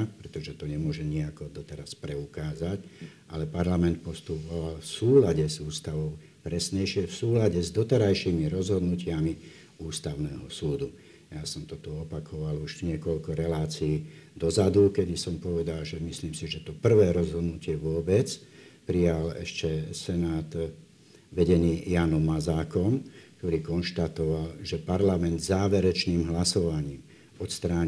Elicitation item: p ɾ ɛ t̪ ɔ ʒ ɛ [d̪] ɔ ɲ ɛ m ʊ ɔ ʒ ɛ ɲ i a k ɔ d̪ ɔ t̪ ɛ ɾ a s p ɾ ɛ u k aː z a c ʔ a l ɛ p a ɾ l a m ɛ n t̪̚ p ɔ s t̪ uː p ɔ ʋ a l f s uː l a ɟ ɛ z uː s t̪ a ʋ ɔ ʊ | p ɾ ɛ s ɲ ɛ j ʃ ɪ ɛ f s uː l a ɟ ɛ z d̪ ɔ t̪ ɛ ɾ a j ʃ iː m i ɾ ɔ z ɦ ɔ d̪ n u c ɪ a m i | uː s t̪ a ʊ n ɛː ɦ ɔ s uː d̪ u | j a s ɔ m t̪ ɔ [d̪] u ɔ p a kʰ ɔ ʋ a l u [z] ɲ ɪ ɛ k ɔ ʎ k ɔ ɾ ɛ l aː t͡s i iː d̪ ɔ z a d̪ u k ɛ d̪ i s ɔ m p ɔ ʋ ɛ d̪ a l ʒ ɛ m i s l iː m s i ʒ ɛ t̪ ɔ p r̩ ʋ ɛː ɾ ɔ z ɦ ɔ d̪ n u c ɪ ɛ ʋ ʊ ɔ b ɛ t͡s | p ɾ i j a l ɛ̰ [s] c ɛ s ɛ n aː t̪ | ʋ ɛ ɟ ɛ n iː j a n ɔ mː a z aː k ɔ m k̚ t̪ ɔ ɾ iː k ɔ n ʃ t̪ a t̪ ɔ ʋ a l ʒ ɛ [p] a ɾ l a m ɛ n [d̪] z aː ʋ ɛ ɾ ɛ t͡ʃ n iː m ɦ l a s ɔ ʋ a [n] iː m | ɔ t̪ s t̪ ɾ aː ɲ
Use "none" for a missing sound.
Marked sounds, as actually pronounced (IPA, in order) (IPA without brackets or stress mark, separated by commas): t̪, t̪, ʒ, ʃ, p, d̪, ɲ